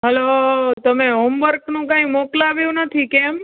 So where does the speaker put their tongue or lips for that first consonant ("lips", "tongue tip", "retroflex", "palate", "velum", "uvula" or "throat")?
throat